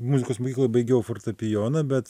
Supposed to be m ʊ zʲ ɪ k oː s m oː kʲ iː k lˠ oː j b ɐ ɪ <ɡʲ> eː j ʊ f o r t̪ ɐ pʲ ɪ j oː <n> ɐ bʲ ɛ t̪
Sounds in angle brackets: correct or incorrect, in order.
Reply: correct, correct

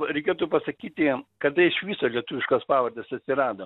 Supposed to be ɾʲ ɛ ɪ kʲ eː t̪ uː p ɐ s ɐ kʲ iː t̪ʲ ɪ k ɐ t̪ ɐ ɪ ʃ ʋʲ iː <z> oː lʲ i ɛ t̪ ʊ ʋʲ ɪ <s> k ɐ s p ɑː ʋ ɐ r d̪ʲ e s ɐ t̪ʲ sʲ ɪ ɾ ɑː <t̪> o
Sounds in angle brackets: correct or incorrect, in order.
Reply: incorrect: s, incorrect: ʃ, incorrect: d̪

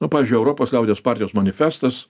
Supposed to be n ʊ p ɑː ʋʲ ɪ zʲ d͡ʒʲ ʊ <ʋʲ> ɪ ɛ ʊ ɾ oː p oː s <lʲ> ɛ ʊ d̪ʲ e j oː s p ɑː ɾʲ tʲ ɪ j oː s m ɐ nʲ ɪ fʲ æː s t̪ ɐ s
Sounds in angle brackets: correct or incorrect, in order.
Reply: incorrect: none, correct

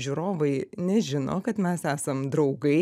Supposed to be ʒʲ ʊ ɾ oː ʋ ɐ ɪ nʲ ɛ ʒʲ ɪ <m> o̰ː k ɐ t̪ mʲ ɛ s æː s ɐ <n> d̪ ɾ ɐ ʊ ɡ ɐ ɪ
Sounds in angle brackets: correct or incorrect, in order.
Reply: incorrect: n, incorrect: m

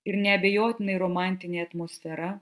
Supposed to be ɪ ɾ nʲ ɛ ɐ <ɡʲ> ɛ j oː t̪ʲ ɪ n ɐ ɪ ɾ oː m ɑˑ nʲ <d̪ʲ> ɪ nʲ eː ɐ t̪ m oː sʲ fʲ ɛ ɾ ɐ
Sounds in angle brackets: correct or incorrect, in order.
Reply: incorrect: bʲ, incorrect: t̪ʲ

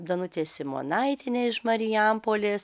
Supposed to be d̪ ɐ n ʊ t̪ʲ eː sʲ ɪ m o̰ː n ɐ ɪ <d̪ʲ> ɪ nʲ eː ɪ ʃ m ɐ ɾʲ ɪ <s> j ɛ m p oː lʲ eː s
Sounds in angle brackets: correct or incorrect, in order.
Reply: incorrect: t̪ʲ, incorrect: none

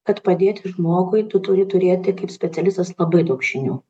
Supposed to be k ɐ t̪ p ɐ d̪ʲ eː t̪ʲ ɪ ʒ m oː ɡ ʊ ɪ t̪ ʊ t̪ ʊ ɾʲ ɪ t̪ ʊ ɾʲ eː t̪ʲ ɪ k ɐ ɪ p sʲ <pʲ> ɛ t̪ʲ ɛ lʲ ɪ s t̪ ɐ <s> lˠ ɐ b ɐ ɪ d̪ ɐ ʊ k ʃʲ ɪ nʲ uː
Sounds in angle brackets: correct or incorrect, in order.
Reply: correct, correct

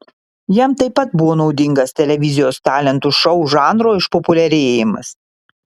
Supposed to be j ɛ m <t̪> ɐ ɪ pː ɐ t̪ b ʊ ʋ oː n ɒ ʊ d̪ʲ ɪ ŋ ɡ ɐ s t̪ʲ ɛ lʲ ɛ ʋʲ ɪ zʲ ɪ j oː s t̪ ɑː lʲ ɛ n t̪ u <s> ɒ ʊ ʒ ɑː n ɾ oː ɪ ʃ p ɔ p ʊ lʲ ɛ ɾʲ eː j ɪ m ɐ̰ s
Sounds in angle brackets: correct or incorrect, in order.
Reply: correct, incorrect: ʃ

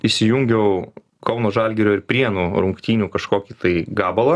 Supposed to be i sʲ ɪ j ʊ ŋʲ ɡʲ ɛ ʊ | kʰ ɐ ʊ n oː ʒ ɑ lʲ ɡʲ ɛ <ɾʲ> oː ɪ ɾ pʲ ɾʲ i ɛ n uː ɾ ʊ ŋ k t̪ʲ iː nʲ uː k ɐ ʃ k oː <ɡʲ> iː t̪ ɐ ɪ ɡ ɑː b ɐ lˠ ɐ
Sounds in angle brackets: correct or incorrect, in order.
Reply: correct, incorrect: kʲ

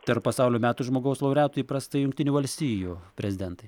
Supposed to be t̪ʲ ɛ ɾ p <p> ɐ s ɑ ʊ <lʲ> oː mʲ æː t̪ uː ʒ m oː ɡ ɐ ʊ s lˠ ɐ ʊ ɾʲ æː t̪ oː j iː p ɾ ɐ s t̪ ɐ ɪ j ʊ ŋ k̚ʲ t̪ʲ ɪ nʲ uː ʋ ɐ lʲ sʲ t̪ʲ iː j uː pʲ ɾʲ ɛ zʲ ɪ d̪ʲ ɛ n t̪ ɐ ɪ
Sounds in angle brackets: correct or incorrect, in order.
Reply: correct, correct

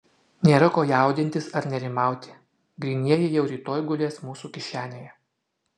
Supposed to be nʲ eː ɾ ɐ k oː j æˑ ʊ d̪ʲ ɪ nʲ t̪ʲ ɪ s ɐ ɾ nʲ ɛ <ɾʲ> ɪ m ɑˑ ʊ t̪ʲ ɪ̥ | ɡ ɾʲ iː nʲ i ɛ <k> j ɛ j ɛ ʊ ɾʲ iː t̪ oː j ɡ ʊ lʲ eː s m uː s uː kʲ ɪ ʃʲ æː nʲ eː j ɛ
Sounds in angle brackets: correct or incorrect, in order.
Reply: correct, incorrect: none

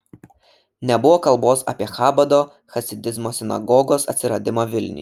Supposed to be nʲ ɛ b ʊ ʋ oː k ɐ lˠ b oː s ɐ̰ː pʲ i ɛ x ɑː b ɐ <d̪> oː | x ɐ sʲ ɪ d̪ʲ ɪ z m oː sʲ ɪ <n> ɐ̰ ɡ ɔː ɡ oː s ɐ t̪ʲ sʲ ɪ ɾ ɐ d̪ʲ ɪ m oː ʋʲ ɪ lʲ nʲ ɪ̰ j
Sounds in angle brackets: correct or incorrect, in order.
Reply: correct, correct

